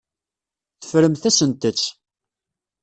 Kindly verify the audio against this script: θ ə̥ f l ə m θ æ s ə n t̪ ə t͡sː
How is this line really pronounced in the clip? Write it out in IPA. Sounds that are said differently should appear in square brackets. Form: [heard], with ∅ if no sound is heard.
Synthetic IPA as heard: θ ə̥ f [ɾ] ə m θ æ s ə n t̪ ə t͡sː

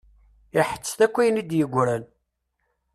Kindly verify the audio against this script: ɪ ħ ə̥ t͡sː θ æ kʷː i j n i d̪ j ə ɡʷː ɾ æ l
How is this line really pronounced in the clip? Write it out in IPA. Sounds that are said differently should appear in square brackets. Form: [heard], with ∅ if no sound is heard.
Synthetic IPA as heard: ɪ ħ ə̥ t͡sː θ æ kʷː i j n i d̪ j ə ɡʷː ɾ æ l

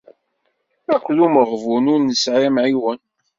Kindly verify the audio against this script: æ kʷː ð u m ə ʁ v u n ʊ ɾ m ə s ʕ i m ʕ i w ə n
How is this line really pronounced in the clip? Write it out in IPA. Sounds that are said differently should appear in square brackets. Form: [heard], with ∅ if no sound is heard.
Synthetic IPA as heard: æ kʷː ð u m ə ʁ v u n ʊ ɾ [n] ə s ʕ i m ʕ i w ə n

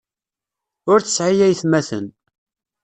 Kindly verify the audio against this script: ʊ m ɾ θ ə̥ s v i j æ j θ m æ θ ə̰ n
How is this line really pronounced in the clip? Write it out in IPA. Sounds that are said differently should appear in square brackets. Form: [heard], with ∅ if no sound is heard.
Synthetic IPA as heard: ʊ [∅] ɾ θ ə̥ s [ʕ] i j æ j θ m æ θ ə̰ n

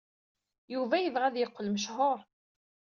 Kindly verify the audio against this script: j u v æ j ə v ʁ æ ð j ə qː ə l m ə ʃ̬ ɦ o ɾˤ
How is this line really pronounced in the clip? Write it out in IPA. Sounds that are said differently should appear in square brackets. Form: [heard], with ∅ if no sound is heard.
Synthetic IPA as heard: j u v æ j ə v ʁ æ ð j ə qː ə l m ə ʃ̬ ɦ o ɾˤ

